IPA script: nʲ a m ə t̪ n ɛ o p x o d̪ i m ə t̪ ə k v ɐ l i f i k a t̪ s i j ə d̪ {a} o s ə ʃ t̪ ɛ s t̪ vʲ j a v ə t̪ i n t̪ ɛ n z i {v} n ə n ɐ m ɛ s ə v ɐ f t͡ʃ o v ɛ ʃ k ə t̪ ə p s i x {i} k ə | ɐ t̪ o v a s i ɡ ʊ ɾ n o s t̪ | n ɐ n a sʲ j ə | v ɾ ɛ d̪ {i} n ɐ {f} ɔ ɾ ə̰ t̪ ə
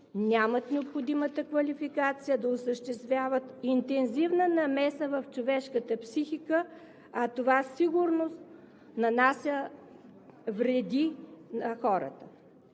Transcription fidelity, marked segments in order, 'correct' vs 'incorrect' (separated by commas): incorrect, correct, correct, correct, incorrect